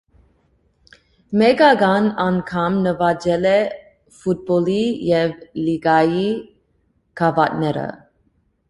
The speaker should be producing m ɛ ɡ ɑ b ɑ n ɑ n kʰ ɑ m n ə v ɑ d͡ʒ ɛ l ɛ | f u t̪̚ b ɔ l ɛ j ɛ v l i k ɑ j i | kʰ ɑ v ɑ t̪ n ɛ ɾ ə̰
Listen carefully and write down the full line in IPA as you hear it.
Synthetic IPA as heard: m ɛ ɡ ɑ ɡ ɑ n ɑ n kʰ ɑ m n ə v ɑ d͡ʒ ɛ l ɛ | f u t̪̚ b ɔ l i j ɛ v l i ɡ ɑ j i | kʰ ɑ v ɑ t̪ n ɛ ɾ ə̰